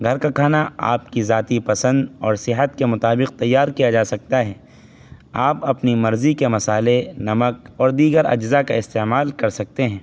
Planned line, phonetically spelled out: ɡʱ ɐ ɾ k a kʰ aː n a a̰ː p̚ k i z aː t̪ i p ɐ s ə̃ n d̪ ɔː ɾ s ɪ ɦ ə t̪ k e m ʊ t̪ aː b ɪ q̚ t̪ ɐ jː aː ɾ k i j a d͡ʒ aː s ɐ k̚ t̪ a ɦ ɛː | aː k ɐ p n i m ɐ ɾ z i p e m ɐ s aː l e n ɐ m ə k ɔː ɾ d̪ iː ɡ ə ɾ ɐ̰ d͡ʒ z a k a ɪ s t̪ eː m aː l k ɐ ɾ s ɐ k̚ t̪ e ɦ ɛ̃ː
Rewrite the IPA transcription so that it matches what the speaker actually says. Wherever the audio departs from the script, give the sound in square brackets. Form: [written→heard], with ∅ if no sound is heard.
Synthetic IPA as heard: ɡʱ ɐ ɾ k a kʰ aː n a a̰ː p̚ k i z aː t̪ i p ɐ s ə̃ n d̪ ɔː ɾ s ɪ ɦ ə t̪ k e m ʊ t̪ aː b ɪ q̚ t̪ ɐ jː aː ɾ k i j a d͡ʒ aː s ɐ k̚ t̪ a ɦ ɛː | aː [k→p] ɐ p n i m ɐ ɾ z i [p→k] e m ɐ s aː l e n ɐ m ə k ɔː ɾ d̪ iː ɡ ə ɾ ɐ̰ d͡ʒ z a k a ɪ s t̪ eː m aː l k ɐ ɾ s ɐ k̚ t̪ e ɦ ɛ̃ː